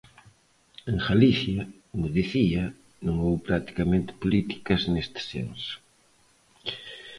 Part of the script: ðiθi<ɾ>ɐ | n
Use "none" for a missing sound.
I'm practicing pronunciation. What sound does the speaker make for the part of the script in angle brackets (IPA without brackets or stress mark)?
none